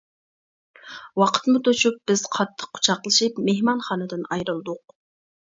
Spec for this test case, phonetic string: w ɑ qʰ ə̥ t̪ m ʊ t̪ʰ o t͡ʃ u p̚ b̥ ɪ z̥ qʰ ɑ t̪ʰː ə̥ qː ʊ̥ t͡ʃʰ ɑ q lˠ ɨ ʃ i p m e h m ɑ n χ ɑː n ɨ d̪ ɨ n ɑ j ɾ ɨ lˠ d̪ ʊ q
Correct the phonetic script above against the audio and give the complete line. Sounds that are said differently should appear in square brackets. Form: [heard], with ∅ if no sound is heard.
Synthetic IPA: w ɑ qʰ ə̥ t̪ m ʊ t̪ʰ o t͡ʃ u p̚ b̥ ɪ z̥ qʰ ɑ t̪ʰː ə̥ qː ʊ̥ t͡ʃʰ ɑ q lˠ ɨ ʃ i p m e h m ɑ n χ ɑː n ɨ d̪ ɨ n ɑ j ɾ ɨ lˠ d̪ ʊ q